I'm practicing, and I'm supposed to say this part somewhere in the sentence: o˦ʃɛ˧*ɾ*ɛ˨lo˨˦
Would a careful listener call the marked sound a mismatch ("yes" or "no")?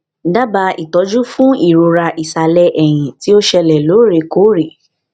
yes